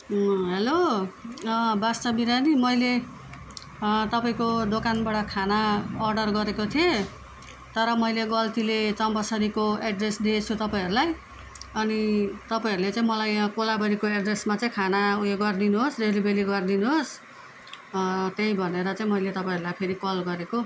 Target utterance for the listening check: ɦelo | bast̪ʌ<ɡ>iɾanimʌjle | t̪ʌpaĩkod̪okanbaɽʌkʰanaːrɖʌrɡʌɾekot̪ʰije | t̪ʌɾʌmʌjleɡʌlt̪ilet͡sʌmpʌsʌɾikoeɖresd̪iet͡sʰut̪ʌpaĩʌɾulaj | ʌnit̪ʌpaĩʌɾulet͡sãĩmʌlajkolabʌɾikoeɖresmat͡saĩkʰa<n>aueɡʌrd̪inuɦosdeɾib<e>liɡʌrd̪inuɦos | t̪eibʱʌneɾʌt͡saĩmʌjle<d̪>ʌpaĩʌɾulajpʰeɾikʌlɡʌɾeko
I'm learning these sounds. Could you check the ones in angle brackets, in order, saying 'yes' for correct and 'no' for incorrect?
no, yes, yes, no

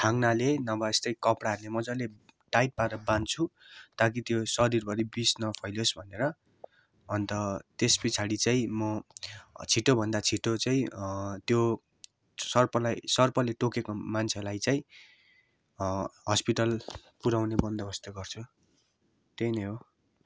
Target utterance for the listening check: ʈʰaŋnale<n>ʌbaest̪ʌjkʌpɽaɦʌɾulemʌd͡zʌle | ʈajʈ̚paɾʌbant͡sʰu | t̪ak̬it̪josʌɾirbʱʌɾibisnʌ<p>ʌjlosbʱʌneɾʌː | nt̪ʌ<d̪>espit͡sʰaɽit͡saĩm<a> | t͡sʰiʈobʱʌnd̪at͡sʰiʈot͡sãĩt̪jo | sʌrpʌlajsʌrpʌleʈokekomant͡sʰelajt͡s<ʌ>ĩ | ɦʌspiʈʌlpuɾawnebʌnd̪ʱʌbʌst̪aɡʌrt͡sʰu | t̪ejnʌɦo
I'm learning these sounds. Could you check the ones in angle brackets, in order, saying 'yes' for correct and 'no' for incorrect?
yes, no, no, no, no

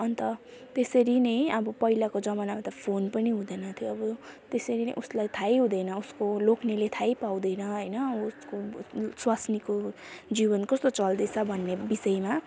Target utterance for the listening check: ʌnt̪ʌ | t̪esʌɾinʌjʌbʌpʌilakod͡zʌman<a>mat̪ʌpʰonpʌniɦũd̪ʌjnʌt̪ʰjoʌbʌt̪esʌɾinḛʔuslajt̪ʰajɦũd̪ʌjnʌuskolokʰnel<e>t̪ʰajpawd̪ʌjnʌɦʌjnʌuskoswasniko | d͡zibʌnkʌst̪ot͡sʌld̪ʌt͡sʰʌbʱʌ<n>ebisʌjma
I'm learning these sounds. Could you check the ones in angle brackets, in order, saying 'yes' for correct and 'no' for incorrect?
yes, yes, no

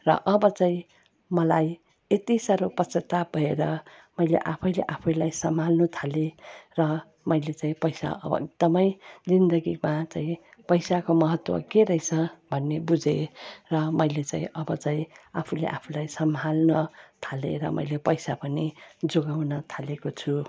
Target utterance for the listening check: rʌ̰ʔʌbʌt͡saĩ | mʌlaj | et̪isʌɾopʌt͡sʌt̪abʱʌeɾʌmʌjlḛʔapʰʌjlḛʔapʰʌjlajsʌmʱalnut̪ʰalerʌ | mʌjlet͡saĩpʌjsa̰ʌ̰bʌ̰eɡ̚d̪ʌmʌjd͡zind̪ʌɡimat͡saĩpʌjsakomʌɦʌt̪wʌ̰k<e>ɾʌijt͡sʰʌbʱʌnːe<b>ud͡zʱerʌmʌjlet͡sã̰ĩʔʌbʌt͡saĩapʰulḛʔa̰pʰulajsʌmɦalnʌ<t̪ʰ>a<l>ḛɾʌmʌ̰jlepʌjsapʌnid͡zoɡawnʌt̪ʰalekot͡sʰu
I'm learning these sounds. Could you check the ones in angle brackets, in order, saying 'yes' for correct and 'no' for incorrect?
yes, yes, yes, yes

